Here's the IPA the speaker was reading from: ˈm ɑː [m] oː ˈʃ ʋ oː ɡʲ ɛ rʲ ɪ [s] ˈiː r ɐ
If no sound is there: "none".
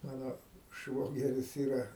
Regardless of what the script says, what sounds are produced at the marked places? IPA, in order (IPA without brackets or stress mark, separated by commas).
n, s